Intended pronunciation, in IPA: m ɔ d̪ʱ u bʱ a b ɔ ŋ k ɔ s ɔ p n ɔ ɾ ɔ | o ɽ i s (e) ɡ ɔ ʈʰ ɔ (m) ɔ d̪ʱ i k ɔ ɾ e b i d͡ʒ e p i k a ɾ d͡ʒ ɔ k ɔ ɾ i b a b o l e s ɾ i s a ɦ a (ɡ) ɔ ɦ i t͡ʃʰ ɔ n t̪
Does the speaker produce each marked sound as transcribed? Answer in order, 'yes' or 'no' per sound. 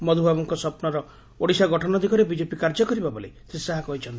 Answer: no, no, no

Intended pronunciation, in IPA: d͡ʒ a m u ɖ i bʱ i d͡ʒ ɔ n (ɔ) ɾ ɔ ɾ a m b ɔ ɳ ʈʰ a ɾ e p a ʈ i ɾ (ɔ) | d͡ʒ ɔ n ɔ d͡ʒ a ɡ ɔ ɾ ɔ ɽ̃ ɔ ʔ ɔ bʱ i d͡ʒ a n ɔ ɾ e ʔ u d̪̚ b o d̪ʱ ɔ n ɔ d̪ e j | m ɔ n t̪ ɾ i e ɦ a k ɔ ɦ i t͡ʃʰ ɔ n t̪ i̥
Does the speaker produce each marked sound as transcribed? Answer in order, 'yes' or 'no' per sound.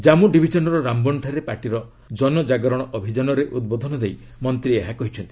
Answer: yes, yes

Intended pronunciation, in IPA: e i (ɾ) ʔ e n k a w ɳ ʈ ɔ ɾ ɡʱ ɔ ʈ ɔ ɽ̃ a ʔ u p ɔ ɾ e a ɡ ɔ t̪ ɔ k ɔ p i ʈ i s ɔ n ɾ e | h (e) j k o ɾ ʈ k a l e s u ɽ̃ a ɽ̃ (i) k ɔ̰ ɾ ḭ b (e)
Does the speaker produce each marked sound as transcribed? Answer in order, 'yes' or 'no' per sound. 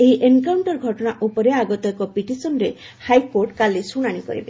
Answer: no, no, yes, yes

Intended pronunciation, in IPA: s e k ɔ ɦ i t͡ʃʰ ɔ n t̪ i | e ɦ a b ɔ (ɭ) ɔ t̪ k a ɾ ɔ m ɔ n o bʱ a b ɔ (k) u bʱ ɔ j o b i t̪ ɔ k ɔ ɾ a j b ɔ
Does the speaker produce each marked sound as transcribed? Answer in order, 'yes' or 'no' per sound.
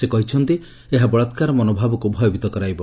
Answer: yes, yes

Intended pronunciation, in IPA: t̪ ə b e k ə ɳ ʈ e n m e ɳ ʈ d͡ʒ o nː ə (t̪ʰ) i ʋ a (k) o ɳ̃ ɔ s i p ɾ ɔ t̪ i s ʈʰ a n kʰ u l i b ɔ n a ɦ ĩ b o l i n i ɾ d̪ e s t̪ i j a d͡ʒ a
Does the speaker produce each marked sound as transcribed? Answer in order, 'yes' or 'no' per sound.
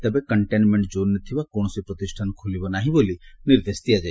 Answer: yes, yes

